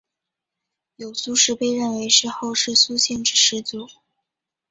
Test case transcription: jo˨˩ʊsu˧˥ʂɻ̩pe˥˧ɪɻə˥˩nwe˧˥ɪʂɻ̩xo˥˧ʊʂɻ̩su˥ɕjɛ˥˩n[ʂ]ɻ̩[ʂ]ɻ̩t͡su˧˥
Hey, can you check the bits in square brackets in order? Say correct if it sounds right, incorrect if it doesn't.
incorrect: ʈ͡ʂ, correct

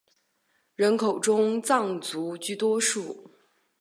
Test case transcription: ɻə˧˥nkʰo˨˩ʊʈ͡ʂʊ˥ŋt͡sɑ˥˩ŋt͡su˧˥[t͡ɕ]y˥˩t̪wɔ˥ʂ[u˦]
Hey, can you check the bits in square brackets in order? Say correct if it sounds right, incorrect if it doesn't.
correct, incorrect: u˥˩

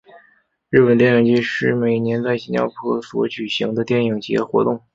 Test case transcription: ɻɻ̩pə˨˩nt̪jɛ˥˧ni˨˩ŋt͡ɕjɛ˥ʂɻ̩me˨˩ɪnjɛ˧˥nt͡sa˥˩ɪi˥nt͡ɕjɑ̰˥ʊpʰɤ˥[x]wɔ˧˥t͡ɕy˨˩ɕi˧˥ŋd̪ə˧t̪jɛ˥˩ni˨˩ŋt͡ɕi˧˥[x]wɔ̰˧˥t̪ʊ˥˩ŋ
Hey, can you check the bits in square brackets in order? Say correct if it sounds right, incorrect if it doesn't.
incorrect: s, correct

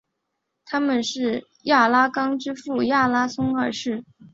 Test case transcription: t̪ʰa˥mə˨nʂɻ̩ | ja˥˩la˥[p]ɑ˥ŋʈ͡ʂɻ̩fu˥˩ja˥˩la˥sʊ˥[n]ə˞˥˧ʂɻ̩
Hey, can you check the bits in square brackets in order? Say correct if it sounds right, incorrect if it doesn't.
incorrect: k, incorrect: ŋ

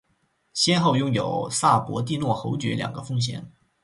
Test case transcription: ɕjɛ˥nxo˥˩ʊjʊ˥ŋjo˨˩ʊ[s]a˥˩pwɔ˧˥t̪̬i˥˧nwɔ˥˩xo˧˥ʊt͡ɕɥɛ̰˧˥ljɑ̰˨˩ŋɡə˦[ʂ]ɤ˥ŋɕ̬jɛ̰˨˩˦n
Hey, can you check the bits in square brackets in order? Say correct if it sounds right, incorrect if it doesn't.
correct, incorrect: f

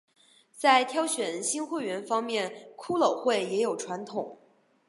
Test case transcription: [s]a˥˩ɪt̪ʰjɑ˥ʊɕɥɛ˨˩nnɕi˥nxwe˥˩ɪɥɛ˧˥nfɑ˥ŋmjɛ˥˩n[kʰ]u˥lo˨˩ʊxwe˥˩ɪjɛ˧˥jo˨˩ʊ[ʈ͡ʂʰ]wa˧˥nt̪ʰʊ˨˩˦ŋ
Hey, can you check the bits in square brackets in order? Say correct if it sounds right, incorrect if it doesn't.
incorrect: t͡s, correct, correct

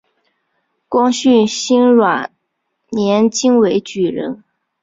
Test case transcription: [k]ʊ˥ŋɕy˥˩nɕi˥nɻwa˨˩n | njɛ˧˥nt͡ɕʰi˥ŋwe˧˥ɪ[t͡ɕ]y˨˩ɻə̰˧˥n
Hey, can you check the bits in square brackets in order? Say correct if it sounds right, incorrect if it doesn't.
correct, correct

